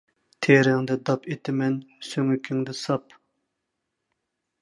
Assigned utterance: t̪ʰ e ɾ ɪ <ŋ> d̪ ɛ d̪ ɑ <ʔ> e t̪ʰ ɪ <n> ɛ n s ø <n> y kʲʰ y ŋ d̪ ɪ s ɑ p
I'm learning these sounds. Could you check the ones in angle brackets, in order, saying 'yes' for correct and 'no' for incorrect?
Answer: yes, no, no, no

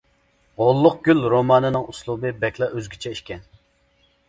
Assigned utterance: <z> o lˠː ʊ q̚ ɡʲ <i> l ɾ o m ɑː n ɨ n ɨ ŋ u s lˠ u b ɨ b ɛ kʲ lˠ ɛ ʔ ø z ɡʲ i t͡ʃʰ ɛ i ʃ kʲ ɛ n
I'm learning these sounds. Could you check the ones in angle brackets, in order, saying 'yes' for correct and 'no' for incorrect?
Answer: no, no

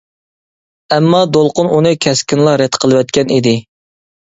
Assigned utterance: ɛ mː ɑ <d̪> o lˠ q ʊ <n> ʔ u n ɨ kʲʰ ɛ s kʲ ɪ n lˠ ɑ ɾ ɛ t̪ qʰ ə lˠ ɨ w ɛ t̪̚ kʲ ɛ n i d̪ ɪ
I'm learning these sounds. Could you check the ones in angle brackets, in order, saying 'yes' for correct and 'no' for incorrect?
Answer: yes, yes

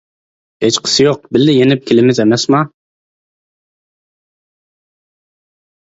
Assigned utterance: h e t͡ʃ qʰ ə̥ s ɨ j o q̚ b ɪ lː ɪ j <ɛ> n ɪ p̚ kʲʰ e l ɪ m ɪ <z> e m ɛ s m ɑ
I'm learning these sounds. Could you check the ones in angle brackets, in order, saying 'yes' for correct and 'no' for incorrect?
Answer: no, yes

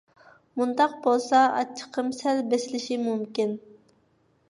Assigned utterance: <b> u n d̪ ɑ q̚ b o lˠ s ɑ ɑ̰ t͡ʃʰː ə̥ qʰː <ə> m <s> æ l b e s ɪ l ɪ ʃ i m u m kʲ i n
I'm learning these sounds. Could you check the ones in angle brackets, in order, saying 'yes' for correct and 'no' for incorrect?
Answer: no, yes, yes

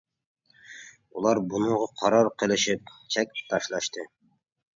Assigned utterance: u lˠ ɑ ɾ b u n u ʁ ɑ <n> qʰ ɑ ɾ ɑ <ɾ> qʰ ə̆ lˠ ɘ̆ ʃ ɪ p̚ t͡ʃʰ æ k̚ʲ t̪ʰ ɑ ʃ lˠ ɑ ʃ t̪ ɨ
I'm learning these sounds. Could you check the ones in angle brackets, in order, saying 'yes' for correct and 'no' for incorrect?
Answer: no, yes

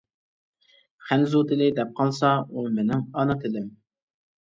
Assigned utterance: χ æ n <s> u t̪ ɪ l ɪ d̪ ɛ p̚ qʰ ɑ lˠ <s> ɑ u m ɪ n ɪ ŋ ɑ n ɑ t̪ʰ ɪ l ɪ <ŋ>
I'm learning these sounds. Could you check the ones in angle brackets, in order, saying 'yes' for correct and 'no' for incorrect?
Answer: no, yes, no

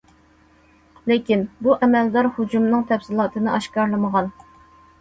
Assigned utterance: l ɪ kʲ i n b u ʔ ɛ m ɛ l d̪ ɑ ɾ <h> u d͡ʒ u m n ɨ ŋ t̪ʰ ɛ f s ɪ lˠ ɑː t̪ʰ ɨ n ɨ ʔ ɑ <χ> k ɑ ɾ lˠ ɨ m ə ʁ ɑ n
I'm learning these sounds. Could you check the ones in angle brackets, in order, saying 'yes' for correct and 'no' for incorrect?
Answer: yes, no

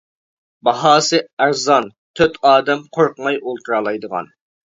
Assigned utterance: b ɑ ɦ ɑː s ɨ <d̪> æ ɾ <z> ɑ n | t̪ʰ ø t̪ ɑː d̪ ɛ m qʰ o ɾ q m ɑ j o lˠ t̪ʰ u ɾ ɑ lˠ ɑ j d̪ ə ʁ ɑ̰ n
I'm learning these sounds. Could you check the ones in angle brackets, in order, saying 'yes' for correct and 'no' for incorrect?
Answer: no, yes

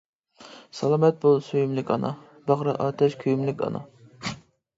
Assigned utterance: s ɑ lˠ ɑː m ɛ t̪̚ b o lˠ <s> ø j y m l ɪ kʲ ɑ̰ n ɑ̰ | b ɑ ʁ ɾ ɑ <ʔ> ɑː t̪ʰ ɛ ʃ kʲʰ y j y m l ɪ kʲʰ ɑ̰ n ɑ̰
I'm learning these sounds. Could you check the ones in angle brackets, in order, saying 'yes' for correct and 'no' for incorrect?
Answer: yes, yes

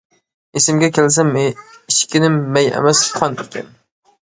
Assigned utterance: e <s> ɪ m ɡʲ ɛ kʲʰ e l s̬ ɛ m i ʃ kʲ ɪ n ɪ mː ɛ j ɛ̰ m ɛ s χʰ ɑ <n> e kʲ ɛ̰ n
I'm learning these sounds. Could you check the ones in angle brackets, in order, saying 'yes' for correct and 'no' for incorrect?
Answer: yes, yes

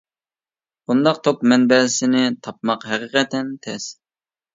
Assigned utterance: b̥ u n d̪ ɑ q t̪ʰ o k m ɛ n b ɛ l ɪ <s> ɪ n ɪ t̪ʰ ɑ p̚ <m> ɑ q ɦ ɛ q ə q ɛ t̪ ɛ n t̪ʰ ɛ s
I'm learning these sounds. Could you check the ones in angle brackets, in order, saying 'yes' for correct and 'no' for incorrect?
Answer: yes, yes

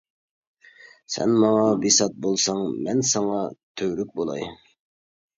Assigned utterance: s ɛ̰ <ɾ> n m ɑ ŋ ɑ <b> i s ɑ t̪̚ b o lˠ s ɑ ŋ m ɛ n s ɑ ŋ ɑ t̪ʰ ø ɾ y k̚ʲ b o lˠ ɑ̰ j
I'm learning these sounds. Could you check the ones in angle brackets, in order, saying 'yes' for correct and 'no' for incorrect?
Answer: no, yes

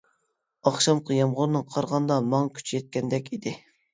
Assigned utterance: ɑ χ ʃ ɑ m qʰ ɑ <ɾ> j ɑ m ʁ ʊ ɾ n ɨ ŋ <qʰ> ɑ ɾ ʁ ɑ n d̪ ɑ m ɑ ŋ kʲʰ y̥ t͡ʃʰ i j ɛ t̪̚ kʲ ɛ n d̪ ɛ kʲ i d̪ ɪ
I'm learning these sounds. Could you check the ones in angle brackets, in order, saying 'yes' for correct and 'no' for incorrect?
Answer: no, yes

